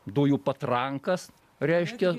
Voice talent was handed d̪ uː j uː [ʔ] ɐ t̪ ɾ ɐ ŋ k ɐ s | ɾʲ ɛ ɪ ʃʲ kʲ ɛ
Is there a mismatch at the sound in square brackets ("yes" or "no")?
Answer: yes